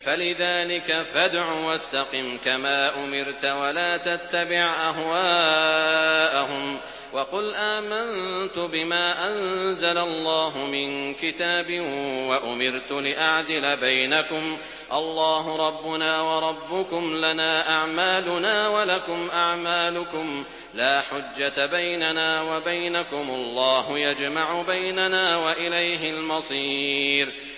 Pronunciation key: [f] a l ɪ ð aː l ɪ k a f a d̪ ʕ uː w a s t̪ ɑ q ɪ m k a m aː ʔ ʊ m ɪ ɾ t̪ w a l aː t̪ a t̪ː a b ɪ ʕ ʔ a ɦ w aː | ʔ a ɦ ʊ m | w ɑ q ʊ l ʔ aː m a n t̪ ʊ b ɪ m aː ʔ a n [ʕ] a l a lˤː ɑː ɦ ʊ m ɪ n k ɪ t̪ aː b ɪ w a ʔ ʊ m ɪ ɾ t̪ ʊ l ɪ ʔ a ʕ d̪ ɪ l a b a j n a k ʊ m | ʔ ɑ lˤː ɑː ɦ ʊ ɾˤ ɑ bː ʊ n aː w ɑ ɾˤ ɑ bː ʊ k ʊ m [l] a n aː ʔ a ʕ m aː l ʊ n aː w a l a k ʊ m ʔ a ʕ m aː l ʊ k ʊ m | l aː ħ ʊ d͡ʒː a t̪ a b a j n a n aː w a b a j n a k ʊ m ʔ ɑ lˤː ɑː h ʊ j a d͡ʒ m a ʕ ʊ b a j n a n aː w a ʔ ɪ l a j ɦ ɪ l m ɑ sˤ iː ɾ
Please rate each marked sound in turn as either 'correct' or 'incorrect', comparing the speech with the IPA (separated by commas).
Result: correct, incorrect, correct